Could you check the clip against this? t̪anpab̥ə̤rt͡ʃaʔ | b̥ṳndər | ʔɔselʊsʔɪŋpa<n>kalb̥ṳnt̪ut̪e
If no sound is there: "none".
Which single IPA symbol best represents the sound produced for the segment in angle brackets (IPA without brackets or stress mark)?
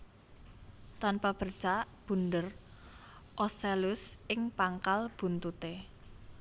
ŋ